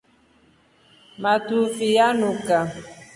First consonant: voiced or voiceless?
voiced